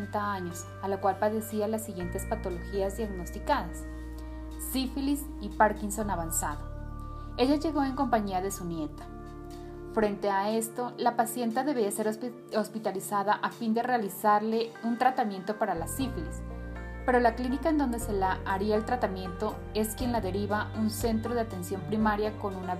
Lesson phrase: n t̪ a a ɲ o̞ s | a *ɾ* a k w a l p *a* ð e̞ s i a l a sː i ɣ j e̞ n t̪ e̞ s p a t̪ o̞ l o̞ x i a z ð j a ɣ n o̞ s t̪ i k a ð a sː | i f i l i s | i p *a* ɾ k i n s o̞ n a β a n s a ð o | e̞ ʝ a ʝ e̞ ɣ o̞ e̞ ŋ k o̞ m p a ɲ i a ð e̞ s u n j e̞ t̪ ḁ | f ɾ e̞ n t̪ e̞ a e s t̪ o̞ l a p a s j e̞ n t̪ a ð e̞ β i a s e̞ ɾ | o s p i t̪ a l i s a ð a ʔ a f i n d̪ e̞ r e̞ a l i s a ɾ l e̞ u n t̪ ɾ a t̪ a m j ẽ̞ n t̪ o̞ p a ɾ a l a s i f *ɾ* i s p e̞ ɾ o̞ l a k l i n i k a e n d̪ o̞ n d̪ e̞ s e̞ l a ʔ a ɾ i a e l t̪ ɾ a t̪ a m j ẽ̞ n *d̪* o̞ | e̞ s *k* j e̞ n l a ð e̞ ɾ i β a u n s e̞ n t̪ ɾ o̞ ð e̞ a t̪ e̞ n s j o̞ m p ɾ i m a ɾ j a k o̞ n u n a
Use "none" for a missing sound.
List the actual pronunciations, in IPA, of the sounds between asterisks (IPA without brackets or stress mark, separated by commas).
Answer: l, a, a, l, t̪, k